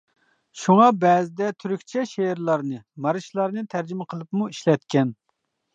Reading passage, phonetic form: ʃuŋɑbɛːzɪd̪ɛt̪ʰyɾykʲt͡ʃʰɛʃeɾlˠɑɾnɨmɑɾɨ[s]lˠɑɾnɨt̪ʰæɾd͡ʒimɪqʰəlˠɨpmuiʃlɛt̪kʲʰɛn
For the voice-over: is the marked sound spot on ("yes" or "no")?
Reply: no